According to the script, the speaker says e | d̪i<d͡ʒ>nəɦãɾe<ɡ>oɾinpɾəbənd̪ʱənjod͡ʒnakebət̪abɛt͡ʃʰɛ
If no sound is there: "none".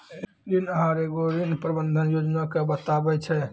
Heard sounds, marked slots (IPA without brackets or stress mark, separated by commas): none, ɡ